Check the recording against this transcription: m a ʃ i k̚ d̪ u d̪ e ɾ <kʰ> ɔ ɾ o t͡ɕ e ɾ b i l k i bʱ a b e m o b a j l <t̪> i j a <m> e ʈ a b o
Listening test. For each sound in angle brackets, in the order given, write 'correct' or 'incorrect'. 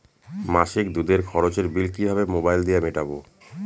correct, incorrect, correct

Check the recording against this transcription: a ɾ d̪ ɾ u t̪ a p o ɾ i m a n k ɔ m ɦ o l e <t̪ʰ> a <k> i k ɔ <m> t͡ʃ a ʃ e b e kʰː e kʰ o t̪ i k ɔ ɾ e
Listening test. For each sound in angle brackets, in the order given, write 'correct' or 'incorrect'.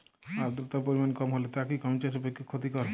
incorrect, correct, correct

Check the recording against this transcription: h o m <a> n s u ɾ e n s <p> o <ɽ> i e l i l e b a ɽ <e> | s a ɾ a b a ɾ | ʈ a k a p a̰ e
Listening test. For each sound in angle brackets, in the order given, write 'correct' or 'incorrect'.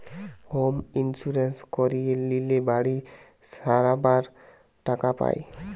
incorrect, incorrect, incorrect, incorrect

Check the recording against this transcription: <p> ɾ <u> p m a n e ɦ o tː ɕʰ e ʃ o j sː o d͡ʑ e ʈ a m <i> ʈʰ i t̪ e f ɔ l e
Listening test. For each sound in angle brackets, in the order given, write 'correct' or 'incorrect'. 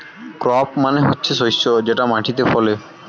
incorrect, incorrect, incorrect

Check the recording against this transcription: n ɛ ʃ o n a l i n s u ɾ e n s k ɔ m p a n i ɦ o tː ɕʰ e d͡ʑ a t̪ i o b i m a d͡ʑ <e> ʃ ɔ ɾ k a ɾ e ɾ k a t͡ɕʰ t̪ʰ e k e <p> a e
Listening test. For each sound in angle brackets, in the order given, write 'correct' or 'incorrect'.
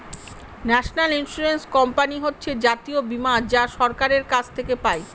incorrect, correct

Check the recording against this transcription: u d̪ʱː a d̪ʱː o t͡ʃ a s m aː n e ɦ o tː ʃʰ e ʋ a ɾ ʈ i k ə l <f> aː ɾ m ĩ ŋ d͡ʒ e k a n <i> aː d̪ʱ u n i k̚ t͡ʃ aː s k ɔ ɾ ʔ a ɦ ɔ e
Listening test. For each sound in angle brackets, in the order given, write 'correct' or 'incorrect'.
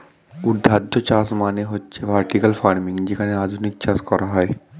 correct, incorrect

